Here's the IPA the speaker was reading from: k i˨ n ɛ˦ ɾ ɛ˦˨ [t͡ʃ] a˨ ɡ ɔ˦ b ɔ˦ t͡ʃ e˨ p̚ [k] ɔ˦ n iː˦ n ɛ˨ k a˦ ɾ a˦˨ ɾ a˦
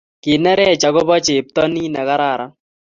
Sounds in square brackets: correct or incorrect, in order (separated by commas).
correct, incorrect